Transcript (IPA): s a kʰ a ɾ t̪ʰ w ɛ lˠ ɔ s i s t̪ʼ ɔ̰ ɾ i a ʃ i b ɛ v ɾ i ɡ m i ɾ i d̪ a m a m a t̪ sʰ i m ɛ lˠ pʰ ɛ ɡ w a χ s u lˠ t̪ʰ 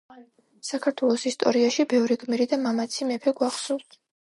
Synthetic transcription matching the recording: s a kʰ a ɾ t̪ʰ w ɛ lˠ ɔ s i s t̪ʼ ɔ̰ ɾ i a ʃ i b ɛ v ɾ i ɡ m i ɾ i d̪ a m a m a t̪ sʰ i m ɛ pʰ ɛ ɡ w a χ s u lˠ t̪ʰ